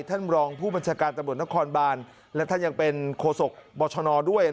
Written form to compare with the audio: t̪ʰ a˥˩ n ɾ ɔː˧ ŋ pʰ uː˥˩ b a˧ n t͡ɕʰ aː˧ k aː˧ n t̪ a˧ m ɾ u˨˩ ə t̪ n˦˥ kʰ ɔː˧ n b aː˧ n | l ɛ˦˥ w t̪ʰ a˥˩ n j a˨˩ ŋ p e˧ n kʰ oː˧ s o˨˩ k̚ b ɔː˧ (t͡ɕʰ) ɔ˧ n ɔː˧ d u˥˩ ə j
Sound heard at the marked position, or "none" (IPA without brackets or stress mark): t͡ɕʰ